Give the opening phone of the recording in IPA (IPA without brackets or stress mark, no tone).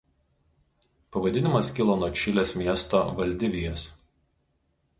p